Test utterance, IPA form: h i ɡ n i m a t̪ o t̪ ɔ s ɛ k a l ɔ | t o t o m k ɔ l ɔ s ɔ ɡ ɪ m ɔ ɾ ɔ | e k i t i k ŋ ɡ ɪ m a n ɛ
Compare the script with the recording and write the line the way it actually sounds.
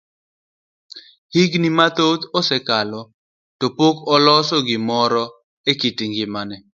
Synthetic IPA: h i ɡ n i m a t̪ o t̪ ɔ s ɛ k a l ɔ | t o p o k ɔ l ɔ s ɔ ɡ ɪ m ɔ ɾ ɔ | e k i t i ŋ ɡ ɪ m a n ɛ